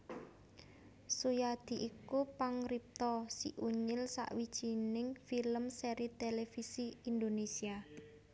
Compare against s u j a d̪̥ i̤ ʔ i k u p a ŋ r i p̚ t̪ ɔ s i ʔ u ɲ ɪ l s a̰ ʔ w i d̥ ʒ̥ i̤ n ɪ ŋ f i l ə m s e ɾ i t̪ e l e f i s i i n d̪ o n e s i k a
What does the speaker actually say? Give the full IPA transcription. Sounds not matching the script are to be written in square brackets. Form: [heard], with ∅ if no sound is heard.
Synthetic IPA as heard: s u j a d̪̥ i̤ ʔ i k u p a ŋ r i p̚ t̪ ɔ s i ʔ u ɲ ɪ l s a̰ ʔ w i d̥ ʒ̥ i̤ n ɪ ŋ f i l ə m s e ɾ i t̪ e l e f i s i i n d̪ o n e s i [∅] a